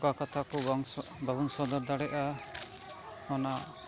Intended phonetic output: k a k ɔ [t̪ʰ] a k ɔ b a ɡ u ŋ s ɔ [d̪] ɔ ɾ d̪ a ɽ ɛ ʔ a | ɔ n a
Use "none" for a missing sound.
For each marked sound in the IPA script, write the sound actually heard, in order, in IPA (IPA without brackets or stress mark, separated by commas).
t̪ʰ, d̪